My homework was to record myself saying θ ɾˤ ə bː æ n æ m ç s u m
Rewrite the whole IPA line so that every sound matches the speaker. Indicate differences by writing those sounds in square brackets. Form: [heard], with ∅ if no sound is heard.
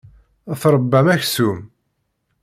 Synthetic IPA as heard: θ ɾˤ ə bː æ [m] æ [∅] ç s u m